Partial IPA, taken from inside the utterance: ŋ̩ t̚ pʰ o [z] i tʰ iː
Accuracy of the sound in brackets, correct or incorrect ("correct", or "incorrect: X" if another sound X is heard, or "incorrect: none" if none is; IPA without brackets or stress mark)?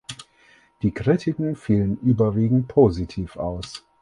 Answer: correct